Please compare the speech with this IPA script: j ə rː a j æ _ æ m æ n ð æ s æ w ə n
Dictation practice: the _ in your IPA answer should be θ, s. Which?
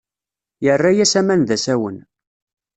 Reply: s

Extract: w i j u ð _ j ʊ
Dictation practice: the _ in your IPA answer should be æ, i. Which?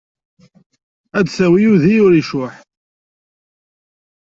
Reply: i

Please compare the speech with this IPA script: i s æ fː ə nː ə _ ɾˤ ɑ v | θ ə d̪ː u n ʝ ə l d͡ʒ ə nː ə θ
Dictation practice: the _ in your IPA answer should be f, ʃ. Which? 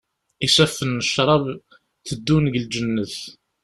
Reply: ʃ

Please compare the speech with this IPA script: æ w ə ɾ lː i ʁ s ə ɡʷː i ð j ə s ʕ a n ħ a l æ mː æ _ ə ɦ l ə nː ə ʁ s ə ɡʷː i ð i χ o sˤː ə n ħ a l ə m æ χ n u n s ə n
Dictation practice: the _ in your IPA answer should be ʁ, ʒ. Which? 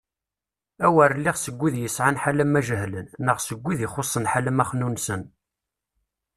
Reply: ʒ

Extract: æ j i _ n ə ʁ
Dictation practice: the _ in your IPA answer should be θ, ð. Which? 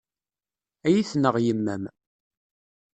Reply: θ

